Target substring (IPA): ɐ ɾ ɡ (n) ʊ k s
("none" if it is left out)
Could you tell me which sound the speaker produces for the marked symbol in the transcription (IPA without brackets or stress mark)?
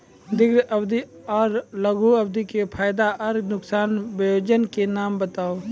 n